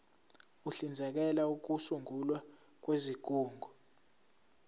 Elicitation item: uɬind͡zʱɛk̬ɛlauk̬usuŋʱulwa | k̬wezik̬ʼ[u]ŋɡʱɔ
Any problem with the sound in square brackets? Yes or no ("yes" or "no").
yes